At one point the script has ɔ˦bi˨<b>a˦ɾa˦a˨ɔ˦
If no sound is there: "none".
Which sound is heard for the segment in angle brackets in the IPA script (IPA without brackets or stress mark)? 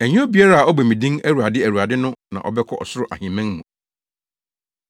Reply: none